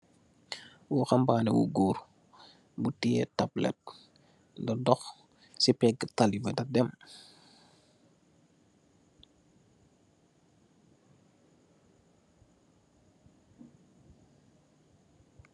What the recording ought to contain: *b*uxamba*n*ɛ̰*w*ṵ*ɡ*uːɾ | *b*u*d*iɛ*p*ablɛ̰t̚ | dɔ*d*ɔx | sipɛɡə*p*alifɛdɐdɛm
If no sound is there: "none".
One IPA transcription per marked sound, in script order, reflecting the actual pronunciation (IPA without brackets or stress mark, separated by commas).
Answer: w, n, w, ɡ, b, t, t, d, t